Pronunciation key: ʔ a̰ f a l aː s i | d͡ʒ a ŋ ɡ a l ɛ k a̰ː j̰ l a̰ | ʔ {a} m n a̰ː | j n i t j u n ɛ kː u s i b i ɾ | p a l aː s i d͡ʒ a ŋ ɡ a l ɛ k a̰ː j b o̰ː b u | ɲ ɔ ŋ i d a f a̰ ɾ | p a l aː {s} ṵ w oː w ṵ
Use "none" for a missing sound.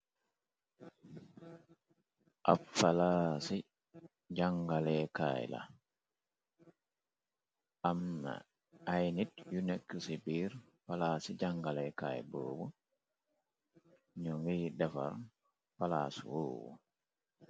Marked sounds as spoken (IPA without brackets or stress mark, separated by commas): a, s